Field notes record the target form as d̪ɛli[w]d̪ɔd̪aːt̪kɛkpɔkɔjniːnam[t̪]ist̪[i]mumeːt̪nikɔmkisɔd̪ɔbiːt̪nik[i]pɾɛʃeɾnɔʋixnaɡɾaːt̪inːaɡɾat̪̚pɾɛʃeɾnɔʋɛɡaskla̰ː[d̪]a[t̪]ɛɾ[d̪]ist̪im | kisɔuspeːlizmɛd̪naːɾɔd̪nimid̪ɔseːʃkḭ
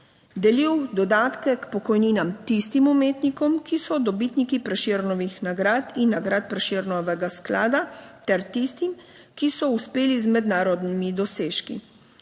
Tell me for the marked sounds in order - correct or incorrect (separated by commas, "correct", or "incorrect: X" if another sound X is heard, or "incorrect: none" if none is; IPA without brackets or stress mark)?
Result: correct, correct, correct, correct, correct, correct, incorrect: t̪